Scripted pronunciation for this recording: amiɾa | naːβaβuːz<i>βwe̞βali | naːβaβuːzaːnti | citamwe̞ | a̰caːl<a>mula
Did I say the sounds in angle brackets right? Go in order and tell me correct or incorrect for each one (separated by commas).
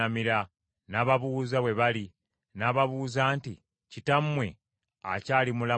incorrect, incorrect